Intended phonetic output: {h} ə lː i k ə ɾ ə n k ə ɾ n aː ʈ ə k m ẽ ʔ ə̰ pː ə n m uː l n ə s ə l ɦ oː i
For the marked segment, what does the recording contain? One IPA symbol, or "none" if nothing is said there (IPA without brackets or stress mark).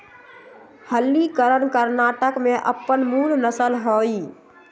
h